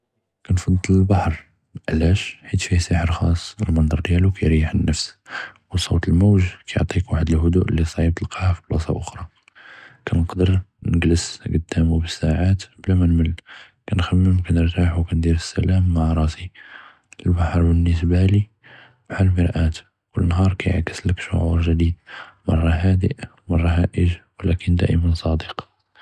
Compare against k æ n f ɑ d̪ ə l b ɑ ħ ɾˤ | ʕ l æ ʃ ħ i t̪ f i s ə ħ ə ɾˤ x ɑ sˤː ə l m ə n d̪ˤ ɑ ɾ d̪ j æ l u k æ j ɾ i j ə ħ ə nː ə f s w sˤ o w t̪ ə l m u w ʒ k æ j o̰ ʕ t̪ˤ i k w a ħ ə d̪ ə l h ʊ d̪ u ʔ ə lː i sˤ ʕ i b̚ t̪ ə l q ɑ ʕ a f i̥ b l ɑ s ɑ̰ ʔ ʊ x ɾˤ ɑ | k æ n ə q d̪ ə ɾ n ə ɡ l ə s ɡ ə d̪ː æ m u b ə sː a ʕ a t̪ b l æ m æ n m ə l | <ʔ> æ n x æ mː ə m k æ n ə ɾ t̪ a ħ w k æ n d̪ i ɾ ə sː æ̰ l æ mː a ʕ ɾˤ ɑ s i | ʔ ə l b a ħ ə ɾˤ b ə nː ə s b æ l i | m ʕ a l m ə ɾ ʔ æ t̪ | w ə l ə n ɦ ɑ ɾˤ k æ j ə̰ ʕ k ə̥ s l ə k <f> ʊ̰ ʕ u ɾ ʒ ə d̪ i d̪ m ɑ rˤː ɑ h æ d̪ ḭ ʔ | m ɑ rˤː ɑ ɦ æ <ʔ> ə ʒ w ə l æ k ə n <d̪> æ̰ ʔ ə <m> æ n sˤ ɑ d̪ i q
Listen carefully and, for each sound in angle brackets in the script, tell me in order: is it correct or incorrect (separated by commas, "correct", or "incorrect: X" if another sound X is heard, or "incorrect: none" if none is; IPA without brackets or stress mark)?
incorrect: k, incorrect: ʃ, correct, correct, correct